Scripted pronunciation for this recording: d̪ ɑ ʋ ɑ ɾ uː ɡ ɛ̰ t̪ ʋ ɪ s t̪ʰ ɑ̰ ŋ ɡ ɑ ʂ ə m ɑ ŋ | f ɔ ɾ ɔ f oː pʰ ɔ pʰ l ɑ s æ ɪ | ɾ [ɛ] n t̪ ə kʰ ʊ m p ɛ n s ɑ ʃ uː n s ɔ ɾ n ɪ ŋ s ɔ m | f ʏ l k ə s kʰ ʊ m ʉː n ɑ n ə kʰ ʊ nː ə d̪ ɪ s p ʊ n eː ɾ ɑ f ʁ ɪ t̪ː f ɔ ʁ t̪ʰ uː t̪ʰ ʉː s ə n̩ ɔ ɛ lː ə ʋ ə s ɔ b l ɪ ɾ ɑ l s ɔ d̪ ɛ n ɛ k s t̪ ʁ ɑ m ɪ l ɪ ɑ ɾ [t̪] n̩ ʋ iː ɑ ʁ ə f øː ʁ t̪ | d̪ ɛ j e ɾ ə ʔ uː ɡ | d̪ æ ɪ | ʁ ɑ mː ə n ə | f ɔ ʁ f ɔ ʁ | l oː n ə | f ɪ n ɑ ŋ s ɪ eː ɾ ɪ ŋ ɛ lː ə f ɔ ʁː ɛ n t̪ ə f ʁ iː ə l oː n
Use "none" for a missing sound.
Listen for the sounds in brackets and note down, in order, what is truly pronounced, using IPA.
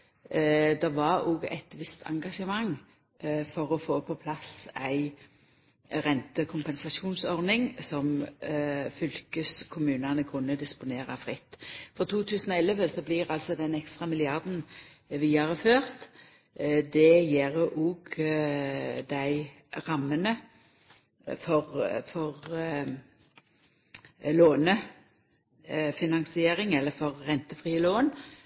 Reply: ɛ, d̪

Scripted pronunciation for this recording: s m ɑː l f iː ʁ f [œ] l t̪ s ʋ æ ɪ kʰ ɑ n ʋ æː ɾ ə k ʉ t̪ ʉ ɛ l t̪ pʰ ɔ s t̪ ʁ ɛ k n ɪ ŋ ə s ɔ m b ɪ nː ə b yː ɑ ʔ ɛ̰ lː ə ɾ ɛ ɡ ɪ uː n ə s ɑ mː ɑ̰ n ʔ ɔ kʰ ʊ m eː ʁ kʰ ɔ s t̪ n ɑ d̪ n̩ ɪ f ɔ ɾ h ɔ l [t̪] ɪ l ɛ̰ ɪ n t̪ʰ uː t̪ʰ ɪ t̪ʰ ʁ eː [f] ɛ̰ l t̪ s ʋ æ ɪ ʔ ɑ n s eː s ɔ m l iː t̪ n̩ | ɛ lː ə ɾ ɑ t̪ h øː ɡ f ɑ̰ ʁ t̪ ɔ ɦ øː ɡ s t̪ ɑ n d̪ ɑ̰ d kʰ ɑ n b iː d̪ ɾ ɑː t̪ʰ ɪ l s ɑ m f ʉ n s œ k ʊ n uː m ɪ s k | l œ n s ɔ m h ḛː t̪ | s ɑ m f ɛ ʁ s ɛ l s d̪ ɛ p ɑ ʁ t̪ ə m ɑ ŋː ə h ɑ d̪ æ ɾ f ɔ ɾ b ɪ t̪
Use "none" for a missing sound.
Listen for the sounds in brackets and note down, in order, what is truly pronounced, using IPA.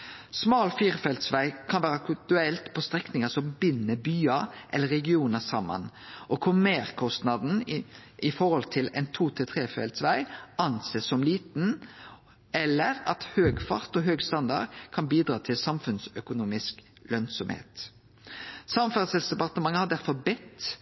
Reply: ɛ, t̪ʰ, f

